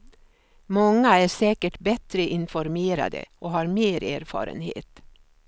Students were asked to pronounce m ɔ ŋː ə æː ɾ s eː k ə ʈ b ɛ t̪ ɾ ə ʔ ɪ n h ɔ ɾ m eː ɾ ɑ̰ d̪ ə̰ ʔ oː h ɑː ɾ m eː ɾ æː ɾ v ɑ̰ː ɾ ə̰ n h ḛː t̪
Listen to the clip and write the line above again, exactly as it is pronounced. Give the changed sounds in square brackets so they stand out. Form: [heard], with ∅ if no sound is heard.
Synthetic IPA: m ɔ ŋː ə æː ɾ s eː k ə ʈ b ɛ t̪ ɾ ə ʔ ɪ n [f] ɔ ɾ m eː ɾ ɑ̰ d̪ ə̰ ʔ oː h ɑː ɾ m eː ɾ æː ɾ [f] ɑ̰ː ɾ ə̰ n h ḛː t̪